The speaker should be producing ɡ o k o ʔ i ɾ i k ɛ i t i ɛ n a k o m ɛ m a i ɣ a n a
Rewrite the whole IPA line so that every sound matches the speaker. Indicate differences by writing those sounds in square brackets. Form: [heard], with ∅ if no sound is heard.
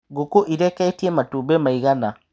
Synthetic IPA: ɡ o k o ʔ i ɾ [ɛ] k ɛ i t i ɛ [m] a [t] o [b] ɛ m a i ɣ a n a